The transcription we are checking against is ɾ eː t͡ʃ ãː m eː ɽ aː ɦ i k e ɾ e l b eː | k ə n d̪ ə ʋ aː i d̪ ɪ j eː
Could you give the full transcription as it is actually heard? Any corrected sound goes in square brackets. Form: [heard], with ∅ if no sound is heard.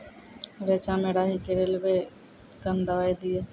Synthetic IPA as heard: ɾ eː t͡ʃ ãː m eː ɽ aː ɦ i k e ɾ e l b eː | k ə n d̪ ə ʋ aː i d̪ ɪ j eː